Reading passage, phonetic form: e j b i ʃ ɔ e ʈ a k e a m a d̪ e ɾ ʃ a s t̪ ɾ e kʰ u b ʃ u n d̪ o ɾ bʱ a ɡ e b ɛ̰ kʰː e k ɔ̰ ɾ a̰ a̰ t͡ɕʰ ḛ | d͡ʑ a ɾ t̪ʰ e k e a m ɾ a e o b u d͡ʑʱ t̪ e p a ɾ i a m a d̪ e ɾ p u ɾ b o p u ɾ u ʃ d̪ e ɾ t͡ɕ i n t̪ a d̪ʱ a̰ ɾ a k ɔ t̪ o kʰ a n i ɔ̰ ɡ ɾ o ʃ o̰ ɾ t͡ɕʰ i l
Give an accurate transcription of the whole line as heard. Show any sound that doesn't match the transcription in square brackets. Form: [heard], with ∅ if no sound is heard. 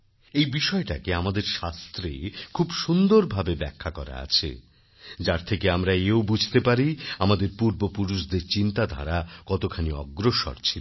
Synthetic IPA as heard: e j b i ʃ ɔ e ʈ a k e a m a d̪ e ɾ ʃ a s t̪ ɾ e kʰ u b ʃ u n d̪ o ɾ bʱ a [b] e b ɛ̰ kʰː [a] k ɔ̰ ɾ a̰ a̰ t͡ɕʰ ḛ | d͡ʑ a ɾ t̪ʰ e k e a m ɾ a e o b u d͡ʑʱ t̪ e p a ɾ i a m a d̪ e ɾ p u ɾ b o p u ɾ u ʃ d̪ e ɾ t͡ɕ i n t̪ a d̪ʱ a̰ ɾ a k ɔ t̪ o kʰ a n i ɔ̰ ɡ ɾ o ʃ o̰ ɾ t͡ɕʰ i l